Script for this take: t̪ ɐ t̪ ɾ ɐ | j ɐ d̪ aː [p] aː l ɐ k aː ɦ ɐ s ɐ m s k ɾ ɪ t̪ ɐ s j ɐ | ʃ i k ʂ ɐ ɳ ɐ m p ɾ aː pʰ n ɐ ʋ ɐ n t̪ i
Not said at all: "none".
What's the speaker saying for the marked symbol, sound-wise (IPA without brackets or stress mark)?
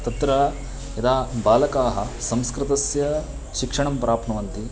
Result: b